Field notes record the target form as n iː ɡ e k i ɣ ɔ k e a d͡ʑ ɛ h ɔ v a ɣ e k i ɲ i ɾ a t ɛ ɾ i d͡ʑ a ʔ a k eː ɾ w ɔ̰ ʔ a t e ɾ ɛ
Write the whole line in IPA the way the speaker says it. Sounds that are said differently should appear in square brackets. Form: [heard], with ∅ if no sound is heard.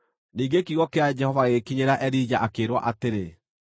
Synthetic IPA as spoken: n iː ɡ e k i ɣ ɔ k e a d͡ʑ ɛ h ɔ v a ɣ e k i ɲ [e] ɾ a [ʔ] ɛ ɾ i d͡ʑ a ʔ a k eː ɾ w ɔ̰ ʔ a t e ɾ [e]